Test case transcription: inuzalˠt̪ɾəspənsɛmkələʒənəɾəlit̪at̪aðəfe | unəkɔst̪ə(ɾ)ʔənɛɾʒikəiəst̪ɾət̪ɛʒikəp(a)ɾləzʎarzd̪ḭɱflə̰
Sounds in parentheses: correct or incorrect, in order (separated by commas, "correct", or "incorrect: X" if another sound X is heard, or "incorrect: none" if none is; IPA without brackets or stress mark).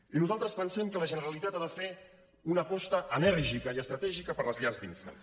incorrect: none, incorrect: ə